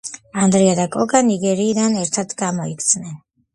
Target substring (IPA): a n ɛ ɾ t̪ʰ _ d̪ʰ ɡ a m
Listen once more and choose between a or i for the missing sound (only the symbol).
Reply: a